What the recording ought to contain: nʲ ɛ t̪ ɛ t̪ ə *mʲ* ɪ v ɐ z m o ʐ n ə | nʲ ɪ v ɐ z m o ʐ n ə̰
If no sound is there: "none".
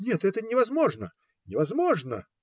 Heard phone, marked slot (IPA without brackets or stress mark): nʲ